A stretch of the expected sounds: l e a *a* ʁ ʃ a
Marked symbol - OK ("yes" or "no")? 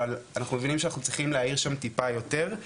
no